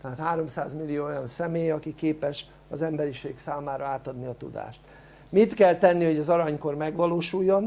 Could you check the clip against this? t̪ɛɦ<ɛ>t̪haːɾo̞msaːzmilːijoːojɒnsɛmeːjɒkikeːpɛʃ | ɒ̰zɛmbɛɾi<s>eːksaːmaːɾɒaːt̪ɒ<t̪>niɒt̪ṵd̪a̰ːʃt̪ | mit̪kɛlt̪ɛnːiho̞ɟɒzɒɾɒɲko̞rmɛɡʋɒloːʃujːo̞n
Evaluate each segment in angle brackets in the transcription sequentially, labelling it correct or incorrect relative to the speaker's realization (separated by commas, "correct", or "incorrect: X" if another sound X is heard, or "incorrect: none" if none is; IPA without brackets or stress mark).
incorrect: a, incorrect: ʃ, incorrect: d̪